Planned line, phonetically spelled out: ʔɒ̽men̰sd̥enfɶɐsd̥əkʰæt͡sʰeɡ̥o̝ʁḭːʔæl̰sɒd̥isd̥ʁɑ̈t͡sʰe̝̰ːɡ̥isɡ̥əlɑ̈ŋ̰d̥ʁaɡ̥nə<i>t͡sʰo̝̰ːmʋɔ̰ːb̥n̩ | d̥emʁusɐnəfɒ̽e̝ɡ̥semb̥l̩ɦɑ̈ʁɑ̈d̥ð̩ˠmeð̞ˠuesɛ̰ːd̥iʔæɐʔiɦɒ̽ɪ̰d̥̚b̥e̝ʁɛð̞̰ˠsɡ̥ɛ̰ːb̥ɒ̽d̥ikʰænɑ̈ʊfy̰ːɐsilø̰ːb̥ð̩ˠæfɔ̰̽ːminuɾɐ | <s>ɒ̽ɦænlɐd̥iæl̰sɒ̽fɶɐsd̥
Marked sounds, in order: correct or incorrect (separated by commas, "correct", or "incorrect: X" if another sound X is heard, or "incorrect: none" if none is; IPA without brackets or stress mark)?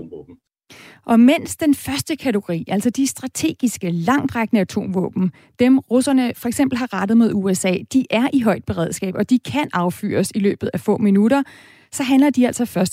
incorrect: æ, correct